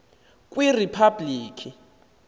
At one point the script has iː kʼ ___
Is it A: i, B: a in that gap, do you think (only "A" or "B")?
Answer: A